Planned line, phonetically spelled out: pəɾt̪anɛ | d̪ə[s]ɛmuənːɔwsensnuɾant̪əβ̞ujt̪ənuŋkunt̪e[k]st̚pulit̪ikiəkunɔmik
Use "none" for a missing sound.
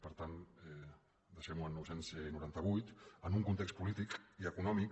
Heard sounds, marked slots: ʃ, k

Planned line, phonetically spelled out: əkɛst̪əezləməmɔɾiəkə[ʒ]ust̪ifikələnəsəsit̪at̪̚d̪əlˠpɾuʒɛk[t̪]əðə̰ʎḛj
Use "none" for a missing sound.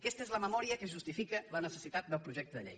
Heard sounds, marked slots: ʒ, t̪

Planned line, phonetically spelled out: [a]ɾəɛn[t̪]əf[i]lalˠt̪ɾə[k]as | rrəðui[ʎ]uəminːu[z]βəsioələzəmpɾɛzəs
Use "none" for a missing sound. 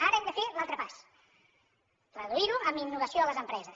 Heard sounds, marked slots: a, d̪, e, p, ɾ, none

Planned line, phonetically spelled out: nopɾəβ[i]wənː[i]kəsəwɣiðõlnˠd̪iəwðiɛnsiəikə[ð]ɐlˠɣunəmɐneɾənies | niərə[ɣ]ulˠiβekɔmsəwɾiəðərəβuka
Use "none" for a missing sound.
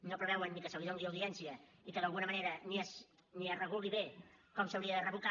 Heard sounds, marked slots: ɛ, i, ð, ɣ

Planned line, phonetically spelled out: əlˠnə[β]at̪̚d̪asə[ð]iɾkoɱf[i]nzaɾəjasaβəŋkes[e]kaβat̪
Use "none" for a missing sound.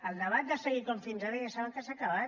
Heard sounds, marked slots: β, ɣ, i, a

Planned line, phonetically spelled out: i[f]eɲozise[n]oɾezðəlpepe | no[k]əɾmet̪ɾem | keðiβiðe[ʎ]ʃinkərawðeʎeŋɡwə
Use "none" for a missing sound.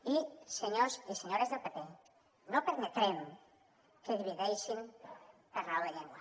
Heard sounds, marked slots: s, ɲ, p, j

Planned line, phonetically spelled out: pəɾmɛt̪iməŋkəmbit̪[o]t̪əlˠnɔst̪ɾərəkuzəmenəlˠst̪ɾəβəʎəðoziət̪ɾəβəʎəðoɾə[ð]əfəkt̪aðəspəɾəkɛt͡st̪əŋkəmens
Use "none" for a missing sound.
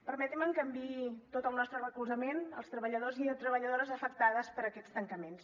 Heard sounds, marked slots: o, z

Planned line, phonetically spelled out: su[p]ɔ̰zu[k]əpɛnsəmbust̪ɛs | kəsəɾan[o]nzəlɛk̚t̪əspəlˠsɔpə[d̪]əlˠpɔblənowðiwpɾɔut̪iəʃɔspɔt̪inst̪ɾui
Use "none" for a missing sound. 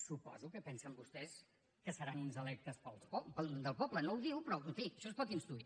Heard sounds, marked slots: p, k, u, d̪

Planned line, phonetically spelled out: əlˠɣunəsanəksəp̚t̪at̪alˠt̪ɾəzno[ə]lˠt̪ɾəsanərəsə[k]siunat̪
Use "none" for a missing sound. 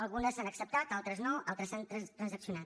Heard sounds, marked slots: a, k

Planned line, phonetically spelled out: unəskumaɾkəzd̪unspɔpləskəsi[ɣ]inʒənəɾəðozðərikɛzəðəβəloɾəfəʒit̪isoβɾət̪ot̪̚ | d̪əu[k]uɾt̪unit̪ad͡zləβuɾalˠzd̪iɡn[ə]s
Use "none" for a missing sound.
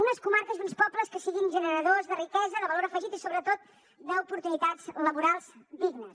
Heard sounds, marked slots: ɣ, p, ə

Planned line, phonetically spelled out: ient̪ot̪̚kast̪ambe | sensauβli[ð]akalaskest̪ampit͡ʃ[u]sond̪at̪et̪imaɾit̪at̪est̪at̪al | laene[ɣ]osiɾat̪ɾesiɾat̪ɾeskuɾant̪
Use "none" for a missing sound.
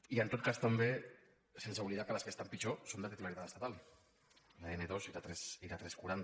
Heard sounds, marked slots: ð, o, ð

